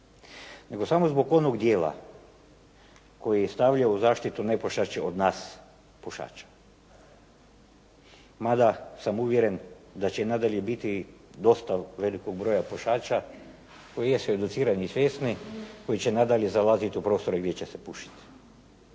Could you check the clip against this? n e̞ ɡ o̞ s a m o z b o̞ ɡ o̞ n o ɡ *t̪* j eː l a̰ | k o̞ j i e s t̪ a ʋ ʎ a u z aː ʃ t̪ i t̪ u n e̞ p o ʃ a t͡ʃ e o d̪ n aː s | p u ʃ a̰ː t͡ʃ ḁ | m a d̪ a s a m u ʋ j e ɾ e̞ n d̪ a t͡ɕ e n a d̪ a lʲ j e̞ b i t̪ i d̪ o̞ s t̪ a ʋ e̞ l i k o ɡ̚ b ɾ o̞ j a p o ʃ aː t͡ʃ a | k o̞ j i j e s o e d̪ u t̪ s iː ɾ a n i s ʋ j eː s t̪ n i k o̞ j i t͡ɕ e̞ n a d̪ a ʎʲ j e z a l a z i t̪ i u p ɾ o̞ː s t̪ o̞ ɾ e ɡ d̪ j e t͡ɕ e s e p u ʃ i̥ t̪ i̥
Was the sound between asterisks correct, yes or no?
no